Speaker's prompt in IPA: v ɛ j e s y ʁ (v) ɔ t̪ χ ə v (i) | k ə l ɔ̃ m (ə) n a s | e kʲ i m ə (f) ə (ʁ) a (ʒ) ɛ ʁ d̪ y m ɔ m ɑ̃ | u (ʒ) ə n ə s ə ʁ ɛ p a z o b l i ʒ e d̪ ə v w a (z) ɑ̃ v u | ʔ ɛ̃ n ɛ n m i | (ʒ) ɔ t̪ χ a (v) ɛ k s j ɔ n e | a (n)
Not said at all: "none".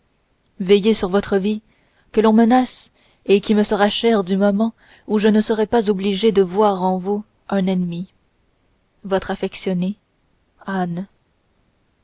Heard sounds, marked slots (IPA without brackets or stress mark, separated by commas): v, i, ə, s, ʁ, ʃ, ʒ, ʁ, v, f, n